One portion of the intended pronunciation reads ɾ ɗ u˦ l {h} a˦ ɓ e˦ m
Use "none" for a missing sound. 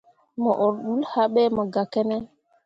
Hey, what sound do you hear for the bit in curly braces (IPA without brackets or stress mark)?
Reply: h